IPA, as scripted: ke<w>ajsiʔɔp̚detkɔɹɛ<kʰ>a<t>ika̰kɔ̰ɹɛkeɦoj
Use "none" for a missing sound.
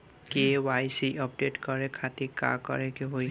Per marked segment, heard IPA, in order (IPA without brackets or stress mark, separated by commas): w, kʰ, t